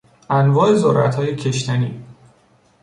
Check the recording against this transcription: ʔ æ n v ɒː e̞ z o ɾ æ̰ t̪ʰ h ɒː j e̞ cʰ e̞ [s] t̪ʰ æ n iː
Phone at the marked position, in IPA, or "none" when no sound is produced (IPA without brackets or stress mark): ʃ